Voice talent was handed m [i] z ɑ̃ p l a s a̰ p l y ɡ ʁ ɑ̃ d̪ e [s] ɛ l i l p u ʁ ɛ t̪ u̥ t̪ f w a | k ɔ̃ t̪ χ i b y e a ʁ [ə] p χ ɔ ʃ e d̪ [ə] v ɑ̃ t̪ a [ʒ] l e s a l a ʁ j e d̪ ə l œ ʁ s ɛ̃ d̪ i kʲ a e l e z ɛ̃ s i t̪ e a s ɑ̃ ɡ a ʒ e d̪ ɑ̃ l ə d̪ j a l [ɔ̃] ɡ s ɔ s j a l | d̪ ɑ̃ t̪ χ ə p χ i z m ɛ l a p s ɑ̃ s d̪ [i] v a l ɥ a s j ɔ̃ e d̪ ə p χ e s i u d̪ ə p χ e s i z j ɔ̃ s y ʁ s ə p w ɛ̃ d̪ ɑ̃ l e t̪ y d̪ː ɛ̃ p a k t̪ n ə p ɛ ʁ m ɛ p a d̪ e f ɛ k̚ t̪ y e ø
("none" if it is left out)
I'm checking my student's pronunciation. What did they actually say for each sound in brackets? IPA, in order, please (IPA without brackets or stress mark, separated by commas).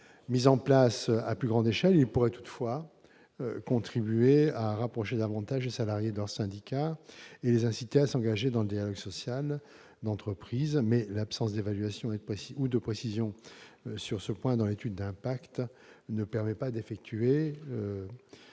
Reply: i, ʃ, a, a, ʒ, ɔ, e